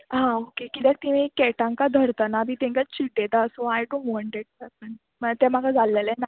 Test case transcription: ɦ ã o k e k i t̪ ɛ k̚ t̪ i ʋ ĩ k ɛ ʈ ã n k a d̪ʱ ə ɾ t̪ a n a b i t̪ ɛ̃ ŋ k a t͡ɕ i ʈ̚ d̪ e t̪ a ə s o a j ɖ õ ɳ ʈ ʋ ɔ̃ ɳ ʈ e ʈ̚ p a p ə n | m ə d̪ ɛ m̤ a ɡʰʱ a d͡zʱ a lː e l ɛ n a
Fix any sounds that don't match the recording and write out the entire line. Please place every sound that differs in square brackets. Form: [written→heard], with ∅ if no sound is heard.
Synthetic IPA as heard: ɦ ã o k e k i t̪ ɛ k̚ t̪ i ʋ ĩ k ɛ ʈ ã [n→ŋ] k a d̪ʱ ə ɾ t̪ a n a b i t̪ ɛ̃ ŋ k a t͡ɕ i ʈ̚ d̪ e t̪ a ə s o a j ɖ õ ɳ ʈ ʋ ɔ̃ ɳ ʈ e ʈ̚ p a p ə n | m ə [d̪→t̪] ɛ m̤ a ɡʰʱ a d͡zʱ a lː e l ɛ n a